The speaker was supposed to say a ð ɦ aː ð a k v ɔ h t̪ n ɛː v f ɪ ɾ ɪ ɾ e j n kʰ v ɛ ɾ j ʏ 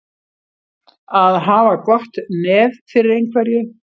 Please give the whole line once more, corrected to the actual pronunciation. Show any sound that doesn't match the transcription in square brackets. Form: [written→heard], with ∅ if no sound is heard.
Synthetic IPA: a ð ɦ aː [ð→v] a k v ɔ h t̪ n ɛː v f ɪ ɾ ɪ ɾ e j n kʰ v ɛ ɾ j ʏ